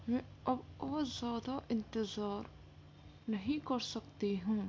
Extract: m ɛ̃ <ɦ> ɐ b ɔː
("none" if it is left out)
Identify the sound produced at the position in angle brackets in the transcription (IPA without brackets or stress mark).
none